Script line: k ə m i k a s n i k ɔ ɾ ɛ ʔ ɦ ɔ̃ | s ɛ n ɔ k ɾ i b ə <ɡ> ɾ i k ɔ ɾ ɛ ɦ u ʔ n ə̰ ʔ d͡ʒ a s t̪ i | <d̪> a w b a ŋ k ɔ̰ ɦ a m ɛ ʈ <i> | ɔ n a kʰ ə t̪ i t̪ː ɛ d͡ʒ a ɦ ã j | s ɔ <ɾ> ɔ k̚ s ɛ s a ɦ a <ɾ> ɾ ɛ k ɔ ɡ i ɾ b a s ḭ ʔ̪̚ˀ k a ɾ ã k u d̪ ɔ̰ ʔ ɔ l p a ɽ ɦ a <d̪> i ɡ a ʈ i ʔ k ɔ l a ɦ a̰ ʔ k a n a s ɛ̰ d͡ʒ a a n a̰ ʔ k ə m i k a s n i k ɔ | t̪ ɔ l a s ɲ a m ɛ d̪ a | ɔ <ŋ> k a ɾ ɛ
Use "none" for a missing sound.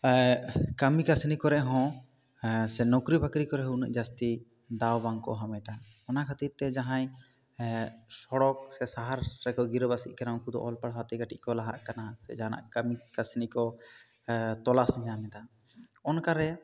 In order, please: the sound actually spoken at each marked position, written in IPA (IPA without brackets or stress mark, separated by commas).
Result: k, d̪, a, ɽ, ɾ, t̪, n